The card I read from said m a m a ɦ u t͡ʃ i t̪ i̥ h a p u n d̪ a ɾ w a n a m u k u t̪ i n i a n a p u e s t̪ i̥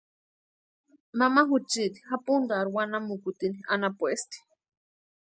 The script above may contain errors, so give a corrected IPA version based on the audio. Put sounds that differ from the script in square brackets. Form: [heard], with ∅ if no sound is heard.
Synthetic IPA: m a m a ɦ u t͡ʃ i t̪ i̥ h a p u n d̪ a ɾ w a n a m u k u t̪ i n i a n a p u e s t̪ i̥